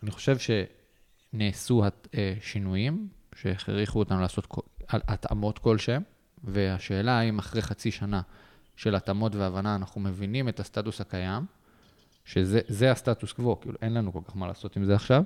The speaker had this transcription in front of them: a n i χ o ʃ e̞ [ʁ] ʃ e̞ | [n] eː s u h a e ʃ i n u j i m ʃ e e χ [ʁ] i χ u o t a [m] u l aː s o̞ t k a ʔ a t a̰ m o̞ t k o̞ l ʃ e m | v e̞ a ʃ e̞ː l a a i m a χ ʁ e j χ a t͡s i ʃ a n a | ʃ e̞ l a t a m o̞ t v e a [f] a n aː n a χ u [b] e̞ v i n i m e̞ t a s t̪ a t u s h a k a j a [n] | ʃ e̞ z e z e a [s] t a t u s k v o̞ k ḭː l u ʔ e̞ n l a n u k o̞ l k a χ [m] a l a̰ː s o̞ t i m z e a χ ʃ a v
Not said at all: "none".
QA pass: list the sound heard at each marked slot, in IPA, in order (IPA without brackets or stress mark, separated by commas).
v, n, ʁ, n, v, m, m, s, m